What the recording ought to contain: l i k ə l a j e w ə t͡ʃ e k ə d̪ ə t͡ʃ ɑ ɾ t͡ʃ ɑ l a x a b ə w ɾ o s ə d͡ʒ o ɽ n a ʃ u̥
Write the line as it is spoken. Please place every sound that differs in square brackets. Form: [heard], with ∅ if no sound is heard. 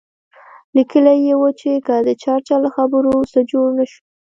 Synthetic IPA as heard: l i k ə l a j e w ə t͡ʃ e k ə d̪ ə t͡ʃ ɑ ɾ t͡ʃ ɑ l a x a b ə [∅] ɾ o s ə d͡ʒ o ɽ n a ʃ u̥

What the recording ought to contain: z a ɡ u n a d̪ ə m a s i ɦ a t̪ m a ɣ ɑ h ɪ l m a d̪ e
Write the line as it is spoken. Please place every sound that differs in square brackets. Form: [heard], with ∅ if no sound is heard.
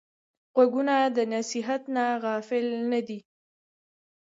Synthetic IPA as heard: [ɣ] a ɡ u n a d̪ ə [n] a s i ɦ a t̪ [n] a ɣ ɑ [f] ɪ l [n] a d̪ [i]

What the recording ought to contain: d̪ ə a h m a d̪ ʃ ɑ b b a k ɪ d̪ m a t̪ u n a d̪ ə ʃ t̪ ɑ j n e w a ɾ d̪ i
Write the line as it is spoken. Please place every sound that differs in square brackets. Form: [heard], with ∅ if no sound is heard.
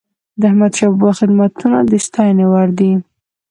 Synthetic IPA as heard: d̪ ə a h m a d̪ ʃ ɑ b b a [x] ɪ d̪ m a t̪ u n a d̪ ə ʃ t̪ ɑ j n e w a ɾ d̪ i

